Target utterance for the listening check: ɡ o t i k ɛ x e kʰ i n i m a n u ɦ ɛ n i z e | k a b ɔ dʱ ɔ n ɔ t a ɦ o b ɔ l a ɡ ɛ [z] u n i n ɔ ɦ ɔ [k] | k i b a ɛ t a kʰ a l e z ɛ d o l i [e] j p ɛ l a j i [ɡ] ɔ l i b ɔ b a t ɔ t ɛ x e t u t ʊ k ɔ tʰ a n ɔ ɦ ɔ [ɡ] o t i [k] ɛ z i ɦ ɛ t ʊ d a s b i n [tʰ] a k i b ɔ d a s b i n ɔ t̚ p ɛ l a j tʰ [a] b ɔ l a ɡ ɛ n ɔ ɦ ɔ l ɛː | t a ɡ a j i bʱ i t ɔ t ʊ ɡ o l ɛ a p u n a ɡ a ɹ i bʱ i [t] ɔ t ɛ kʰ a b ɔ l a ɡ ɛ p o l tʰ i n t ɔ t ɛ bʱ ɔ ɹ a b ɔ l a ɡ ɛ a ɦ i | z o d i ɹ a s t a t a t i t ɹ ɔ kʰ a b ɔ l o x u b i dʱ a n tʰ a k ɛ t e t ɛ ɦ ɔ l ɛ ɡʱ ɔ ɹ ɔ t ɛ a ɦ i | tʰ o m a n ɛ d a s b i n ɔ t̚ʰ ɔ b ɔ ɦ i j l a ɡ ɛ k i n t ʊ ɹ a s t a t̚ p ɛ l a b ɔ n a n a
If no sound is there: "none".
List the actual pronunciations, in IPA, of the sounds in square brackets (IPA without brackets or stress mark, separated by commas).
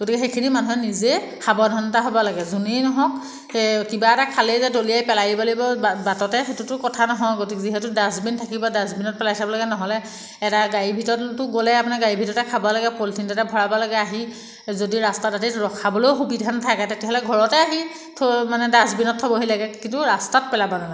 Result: z, k, a, b, ɡ, k, tʰ, a, t